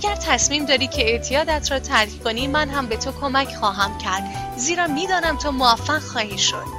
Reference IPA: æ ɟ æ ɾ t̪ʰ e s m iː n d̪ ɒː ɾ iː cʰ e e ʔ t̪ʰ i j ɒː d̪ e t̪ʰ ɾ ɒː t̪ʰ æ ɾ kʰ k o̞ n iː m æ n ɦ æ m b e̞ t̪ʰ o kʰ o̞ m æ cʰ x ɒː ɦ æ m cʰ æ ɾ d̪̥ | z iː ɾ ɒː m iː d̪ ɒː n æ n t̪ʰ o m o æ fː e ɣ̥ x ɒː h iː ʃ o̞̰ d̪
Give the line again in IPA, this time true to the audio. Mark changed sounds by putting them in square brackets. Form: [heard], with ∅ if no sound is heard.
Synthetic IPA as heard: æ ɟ æ ɾ t̪ʰ [æ] s m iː [m] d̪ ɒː ɾ iː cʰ e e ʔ t̪ʰ i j ɒː d̪ [æ] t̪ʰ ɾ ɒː t̪ʰ æ ɾ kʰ k o̞ n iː m æ n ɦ æ m b e̞ t̪ʰ o kʰ o̞ m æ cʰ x ɒː ɦ æ m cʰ æ ɾ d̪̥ | z iː ɾ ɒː m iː d̪ ɒː n æ [m] t̪ʰ o m o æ fː [æ] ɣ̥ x ɒː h iː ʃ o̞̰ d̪